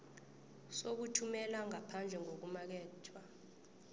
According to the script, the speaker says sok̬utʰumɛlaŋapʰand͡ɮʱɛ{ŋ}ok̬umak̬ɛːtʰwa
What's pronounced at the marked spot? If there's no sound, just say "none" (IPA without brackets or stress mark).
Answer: ŋ